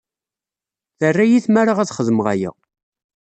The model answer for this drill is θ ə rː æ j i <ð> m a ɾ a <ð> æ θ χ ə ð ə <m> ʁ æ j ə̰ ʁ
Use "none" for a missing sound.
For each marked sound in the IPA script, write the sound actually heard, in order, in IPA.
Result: θ, ʁ, m

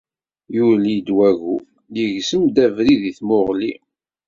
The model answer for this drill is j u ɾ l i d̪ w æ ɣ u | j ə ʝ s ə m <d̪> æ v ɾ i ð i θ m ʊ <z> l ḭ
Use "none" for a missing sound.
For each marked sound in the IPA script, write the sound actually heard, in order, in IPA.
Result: d̪, ʁ

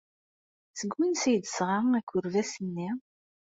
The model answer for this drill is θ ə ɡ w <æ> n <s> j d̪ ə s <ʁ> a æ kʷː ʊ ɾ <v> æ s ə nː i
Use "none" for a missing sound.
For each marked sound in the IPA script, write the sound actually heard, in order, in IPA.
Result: i, s, ʁ, v

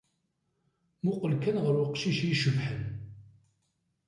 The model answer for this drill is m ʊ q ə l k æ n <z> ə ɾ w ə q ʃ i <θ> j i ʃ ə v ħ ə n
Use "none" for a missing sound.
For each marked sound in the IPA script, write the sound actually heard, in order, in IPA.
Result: ʁ, ʃ

